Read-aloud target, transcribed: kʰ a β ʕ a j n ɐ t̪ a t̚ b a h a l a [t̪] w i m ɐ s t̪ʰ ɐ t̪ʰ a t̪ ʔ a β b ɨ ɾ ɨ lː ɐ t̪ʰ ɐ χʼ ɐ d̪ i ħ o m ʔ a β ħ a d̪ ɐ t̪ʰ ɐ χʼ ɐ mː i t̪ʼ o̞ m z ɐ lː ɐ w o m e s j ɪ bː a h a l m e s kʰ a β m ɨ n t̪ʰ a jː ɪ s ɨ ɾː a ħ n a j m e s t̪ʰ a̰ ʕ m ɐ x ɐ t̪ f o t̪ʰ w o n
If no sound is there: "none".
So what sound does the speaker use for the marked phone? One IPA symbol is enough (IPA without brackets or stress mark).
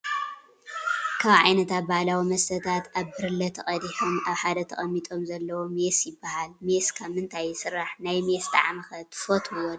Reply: none